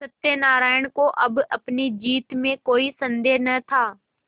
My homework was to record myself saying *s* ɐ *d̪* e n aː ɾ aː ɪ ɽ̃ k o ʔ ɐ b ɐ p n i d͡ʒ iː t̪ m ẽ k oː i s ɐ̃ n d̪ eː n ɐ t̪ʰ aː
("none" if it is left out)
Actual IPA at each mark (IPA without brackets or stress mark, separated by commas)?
s, t̪